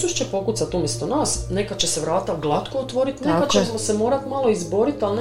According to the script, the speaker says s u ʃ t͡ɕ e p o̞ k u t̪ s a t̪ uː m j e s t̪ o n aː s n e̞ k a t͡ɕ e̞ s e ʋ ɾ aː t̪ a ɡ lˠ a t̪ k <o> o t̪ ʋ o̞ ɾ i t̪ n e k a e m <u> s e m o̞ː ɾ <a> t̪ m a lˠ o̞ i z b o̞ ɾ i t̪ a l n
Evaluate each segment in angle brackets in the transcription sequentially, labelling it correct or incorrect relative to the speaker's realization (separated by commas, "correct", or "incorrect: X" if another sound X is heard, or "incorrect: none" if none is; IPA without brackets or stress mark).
correct, incorrect: o, correct